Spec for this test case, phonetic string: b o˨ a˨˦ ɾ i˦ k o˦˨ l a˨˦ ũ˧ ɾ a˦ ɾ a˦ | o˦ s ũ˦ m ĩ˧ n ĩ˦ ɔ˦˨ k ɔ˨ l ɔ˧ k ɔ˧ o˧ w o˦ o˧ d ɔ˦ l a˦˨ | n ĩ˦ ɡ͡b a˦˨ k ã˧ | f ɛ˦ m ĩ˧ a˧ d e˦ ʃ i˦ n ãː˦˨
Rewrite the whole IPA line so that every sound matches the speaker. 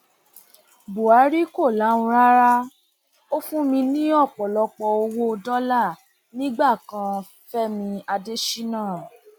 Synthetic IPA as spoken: b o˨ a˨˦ ɾ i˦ k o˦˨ l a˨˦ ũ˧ ɾ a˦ ɾ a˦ | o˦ f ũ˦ m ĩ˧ n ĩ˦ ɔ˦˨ k͡p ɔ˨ l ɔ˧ k͡p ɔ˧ o˧ w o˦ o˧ d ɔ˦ l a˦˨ | n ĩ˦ ɡ͡b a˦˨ k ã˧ | f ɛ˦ m ĩ˧ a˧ d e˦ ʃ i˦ n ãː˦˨